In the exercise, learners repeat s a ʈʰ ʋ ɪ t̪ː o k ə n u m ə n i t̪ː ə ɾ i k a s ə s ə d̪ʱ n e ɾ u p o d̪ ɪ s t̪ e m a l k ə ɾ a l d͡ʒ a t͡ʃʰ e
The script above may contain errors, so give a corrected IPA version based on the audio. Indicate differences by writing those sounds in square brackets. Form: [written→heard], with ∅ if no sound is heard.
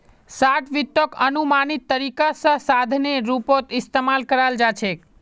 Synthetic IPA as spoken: s a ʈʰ ʋ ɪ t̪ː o k ə n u m [ə→a] n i t̪ː ə ɾ i k a s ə s [ə→a] d̪ʱ n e ɾ u p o [d̪→t̪] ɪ s t̪ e m a l k ə ɾ a l d͡ʒ a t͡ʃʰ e